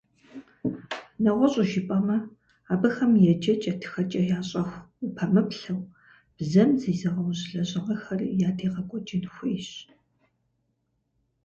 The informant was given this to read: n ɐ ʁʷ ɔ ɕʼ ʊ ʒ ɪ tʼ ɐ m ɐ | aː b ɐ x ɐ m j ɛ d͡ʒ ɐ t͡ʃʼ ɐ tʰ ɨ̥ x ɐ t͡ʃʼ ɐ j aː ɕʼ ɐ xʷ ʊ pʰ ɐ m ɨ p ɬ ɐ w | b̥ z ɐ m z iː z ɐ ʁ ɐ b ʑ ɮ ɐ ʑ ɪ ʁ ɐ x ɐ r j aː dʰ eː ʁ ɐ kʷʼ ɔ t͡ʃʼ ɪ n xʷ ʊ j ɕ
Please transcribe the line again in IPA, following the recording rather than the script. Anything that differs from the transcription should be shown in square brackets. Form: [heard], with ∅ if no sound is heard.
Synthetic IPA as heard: n ɐ ʁʷ ɔ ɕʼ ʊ ʒ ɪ [pʼ] ɐ m ɐ | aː b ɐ x ɐ m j ɛ d͡ʒ ɐ t͡ʃʼ ɐ tʰ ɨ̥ x ɐ t͡ʃʼ ɐ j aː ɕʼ ɐ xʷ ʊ pʰ ɐ m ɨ p ɬ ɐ w | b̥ z ɐ m z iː z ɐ ʁ ɐ [w] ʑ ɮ ɐ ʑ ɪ ʁ ɐ x ɐ r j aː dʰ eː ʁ ɐ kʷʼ ɔ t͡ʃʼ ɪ n xʷ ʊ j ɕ